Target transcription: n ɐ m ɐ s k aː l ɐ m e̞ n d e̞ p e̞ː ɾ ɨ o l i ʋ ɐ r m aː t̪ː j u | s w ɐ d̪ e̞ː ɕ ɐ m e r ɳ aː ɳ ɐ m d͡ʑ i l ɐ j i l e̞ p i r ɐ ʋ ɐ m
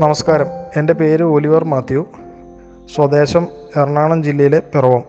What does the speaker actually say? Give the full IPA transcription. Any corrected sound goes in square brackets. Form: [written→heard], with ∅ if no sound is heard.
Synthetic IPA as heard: n ɐ m ɐ s k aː [l→ɾ] ɐ m e̞ n d e̞ p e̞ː ɾ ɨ o l i ʋ ɐ r m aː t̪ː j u | s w ɐ d̪ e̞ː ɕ ɐ m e r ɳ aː ɳ ɐ m d͡ʑ i [l→lː] ɐ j i l e̞ p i r ɐ ʋ ɐ m